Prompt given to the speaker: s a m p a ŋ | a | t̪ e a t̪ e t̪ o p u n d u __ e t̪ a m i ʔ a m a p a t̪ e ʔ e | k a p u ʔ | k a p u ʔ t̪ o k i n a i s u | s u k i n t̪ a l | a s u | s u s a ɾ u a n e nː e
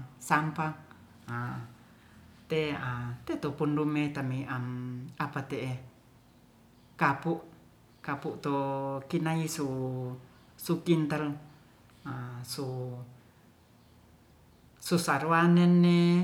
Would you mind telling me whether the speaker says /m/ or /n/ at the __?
m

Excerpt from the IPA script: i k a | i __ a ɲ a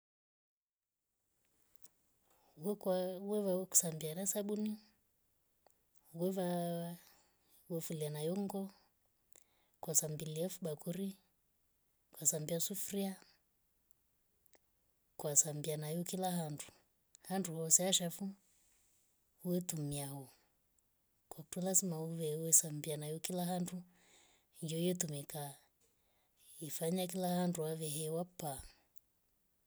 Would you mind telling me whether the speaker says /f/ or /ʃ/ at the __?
f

